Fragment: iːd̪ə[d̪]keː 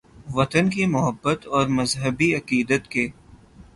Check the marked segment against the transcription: incorrect: t̪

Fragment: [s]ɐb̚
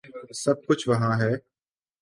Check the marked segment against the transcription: correct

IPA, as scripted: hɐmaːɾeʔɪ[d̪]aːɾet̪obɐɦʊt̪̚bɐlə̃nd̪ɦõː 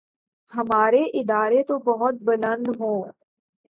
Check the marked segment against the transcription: correct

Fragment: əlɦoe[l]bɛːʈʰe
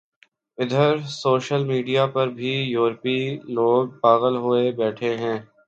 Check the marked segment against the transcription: incorrect: none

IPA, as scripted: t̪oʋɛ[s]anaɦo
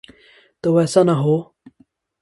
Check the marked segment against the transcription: correct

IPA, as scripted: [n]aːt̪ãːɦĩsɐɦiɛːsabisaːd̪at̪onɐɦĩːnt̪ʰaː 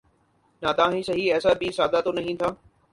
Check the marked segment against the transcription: correct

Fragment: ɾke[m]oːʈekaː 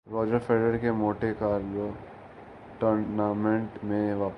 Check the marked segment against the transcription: correct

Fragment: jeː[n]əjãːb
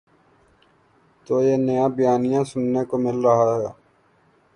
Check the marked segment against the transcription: correct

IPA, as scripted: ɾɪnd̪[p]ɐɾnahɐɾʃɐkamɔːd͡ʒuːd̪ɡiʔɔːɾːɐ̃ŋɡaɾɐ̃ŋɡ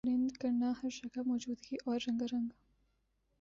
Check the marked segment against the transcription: incorrect: k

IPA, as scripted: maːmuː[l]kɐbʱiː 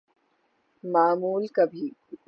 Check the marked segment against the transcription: correct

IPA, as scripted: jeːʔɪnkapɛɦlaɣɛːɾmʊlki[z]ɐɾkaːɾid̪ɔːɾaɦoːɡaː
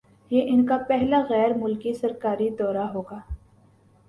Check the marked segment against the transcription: incorrect: s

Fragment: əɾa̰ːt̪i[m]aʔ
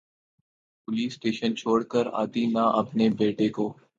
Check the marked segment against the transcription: incorrect: n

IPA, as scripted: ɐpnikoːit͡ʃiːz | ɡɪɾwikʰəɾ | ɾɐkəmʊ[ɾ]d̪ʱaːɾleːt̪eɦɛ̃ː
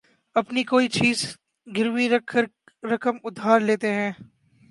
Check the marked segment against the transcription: incorrect: none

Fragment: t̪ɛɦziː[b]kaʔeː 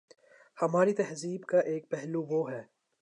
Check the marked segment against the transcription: correct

